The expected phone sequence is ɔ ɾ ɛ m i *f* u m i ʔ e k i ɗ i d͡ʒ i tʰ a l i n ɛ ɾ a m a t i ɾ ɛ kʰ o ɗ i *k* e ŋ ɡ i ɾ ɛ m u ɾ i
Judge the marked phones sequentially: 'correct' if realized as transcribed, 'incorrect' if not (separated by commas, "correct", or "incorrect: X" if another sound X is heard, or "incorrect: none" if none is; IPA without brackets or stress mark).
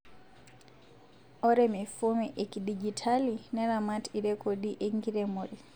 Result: correct, incorrect: ʔ